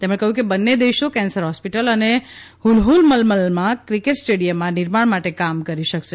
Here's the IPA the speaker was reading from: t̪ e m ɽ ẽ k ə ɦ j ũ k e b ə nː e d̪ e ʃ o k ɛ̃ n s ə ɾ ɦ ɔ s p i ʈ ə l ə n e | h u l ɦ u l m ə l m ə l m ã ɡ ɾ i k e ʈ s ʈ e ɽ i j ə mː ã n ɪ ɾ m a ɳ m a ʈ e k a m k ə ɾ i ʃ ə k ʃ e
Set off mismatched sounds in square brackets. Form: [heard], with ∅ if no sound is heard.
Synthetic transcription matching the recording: t̪ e m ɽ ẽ k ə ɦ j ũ k e b ə nː e d̪ e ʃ o k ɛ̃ n s ə ɾ ɦ ɔ s p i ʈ ə l ə n e | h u l ɦ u l m ə l m ə l m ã [k] ɾ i k e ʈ s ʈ e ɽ i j ə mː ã n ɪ ɾ m a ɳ m a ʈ e k a m k ə ɾ i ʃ ə k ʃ e